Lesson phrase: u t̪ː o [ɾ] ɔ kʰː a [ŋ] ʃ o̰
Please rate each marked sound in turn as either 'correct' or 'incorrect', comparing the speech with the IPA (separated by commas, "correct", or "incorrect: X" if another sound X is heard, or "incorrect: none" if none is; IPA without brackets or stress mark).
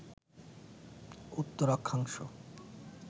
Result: correct, correct